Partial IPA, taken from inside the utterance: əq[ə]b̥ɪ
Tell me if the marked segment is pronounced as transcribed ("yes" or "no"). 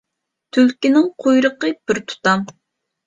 yes